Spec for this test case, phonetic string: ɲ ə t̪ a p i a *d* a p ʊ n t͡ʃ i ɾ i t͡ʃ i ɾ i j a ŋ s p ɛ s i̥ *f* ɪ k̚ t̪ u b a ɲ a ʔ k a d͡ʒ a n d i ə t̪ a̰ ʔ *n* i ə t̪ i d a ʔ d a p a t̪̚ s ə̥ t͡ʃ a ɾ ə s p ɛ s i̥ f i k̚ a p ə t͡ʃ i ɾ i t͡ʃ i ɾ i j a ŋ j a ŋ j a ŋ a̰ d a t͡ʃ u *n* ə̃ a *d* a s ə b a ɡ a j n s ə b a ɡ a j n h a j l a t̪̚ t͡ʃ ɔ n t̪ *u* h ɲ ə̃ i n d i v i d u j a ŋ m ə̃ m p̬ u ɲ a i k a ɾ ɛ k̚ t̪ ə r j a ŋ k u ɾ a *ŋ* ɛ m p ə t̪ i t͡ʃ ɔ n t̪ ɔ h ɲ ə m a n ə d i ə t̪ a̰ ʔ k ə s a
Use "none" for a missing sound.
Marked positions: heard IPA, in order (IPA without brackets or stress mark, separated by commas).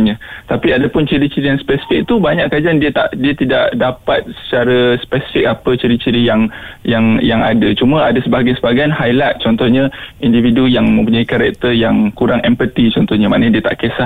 d, f, d, m, d, ɔ, ŋ